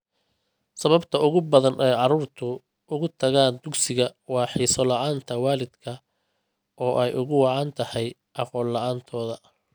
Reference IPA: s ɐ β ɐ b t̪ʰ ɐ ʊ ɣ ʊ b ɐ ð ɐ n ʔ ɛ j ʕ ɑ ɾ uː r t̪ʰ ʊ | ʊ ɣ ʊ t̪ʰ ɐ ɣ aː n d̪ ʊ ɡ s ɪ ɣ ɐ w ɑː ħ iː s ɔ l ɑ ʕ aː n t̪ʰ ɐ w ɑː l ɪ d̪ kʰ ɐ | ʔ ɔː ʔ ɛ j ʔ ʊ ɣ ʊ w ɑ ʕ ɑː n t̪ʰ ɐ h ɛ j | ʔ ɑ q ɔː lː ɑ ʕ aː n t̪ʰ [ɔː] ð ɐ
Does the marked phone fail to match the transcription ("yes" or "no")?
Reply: no